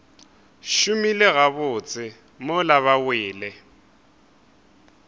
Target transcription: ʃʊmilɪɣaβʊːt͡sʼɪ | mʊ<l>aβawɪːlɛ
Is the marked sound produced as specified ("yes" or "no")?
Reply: yes